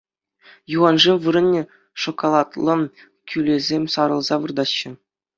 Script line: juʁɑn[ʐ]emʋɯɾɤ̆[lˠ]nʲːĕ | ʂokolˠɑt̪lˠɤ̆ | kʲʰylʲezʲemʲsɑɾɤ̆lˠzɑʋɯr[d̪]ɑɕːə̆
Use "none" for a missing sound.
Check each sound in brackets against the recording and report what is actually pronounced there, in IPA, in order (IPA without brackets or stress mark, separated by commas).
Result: ʐ, none, d̪